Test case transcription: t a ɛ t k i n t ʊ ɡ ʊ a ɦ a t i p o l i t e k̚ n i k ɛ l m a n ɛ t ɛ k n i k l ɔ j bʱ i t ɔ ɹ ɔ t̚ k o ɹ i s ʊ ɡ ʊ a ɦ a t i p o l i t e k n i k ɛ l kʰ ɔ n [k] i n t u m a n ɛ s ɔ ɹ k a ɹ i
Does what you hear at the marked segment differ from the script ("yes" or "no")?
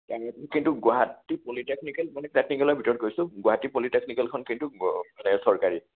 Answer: no